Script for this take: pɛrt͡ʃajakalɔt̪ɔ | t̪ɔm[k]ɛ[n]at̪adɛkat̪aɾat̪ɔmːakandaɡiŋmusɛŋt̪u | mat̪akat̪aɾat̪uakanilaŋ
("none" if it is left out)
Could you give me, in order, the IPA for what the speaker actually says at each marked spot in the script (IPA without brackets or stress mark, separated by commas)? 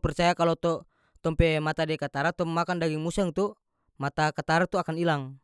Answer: p, m